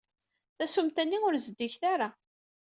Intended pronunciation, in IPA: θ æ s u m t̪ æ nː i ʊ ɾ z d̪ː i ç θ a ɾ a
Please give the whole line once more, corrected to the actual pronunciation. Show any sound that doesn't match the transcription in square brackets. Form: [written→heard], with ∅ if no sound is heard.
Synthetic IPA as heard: θ æ s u m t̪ æ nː i ʊ ɾ z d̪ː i ç θ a ɾ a